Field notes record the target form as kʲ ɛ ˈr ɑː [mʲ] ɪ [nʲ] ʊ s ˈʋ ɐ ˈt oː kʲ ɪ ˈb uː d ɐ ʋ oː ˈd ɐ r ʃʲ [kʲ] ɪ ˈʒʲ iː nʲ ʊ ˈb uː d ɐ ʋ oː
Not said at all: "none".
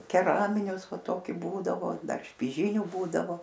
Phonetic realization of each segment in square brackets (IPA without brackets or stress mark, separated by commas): mʲ, nʲ, pʲ